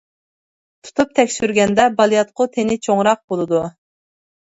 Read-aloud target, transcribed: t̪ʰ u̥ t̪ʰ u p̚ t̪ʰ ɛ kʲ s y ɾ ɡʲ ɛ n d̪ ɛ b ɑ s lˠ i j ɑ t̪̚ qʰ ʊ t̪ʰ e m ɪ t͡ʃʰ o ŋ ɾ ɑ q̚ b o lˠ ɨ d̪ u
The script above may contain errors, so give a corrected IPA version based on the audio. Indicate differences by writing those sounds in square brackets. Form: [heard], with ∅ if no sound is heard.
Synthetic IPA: t̪ʰ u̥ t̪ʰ u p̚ t̪ʰ ɛ kʲ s y ɾ ɡʲ ɛ n d̪ ɛ b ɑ [∅] lˠ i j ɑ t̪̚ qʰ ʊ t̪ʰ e [n] ɪ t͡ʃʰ o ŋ ɾ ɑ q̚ b o lˠ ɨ d̪ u